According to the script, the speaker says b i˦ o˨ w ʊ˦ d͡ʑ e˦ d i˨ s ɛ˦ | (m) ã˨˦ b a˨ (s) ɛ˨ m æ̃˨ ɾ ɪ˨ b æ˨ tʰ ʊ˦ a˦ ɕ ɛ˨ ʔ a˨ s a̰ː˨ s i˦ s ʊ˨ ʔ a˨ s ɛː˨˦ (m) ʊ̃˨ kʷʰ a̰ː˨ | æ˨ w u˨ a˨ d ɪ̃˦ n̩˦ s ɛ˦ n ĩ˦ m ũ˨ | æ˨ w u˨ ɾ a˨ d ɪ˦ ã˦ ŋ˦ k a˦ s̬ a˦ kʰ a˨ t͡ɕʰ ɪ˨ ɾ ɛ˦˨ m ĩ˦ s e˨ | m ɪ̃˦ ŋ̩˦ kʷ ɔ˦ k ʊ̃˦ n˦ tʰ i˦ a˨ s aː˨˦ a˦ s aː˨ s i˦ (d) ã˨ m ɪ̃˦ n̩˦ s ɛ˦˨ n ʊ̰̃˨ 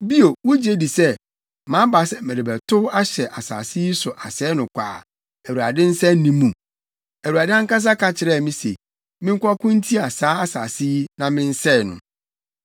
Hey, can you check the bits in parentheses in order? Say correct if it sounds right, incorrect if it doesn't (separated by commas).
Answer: correct, correct, incorrect, incorrect